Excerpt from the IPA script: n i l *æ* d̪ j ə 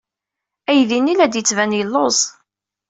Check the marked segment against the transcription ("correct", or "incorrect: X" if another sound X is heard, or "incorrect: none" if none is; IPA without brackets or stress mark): correct